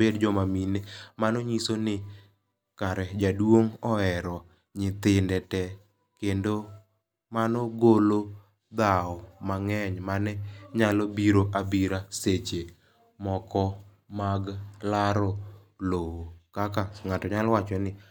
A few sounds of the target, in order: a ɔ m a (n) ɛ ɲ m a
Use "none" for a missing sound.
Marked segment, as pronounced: ŋ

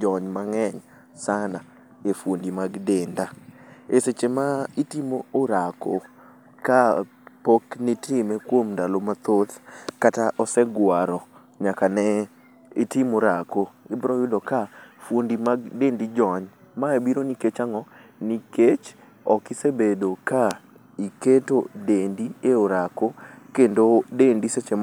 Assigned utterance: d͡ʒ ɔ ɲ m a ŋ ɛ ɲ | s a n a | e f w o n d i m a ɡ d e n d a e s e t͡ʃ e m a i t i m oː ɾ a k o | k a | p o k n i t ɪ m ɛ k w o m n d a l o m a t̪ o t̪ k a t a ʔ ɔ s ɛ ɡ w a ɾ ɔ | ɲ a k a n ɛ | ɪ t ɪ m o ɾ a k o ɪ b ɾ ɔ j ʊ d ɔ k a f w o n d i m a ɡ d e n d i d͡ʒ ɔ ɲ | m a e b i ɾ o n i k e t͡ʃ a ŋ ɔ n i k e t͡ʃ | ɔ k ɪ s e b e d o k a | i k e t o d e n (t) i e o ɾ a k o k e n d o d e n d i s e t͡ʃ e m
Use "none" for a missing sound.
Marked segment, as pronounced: d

